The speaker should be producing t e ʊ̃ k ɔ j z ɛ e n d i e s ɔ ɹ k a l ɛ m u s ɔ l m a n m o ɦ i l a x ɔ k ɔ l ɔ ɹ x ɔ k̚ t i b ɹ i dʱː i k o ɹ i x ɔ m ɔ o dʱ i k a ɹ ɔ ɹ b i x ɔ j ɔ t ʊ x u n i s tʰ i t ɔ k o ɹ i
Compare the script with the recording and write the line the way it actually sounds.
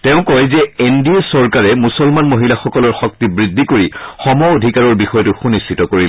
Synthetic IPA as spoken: t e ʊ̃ k ɔ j z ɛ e n d i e s ɔ ɹ k a ɹ ɛ m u s ɔ l m a n m o ɦ i l a x ɔ k ɔ l ɔ ɹ x ɔ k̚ t i b ɹ i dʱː i k o ɹ i x ɔ m ɔ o dʱ i k a ɹ ɔ ɹ b i x ɔ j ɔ t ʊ x u n i s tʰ i t ɔ k o ɹ i